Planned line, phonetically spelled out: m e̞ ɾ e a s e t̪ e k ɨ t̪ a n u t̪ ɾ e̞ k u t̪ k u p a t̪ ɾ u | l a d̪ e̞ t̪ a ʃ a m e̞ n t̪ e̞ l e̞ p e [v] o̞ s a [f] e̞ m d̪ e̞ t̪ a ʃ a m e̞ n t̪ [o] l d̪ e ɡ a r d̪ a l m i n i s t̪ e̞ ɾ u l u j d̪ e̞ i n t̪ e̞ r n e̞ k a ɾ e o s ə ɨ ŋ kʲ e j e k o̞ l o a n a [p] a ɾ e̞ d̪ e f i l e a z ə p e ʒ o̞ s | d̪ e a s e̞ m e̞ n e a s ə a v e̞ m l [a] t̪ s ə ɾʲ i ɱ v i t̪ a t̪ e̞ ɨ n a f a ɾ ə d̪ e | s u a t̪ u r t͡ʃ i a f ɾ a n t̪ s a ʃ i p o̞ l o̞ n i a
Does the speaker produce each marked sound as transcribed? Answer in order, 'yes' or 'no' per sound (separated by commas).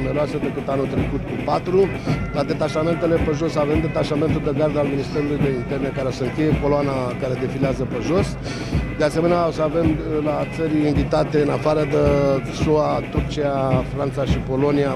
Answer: no, no, no, no, yes